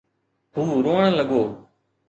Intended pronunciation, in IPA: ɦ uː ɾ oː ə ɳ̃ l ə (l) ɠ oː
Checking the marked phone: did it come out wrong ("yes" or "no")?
yes